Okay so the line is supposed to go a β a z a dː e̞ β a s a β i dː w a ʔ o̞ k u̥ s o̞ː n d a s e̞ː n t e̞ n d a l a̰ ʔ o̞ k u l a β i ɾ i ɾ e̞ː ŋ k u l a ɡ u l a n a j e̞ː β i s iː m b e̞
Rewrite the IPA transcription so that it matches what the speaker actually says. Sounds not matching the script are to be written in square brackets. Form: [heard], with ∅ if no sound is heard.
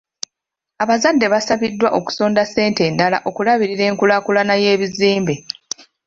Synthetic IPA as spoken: a β a z a dː e̞ β a s a β i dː w a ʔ o̞ k u̥ s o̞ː n d a s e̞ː n t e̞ n d a l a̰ ʔ o̞ k u l a β i ɾ i ɾ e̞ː ŋ k u l a [k] u l a n a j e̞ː β i [z] iː m b e̞